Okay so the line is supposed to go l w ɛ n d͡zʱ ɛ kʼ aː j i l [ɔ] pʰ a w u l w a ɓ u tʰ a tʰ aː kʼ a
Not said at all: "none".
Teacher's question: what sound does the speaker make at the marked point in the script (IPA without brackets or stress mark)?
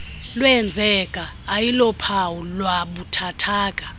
ɔ